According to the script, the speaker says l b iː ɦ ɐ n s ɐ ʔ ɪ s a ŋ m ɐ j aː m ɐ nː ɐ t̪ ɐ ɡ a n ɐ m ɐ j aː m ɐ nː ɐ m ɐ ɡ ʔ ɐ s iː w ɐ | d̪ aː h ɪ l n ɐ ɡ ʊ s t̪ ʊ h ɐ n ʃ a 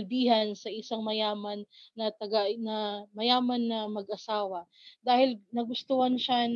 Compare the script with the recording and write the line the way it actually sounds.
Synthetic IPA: l b iː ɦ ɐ n s ɐ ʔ ɪ s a ŋ m ɐ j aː m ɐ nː ɐ t̪ ɐ ɡ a n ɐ m ɐ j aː m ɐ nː ɐ m ɐ ɡ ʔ ɐ s aː w ɐ | d̪ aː h ɪ l n ɐ ɡ ʊ s t̪ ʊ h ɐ n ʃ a